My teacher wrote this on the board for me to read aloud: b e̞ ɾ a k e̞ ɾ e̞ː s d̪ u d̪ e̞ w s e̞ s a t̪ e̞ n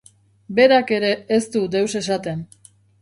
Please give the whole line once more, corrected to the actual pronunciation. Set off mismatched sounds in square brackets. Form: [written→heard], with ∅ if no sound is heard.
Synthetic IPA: b e̞ ɾ a k e̞ ɾ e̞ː s [d̪→t̪] u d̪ e̞ w s e̞ s a t̪ e̞ n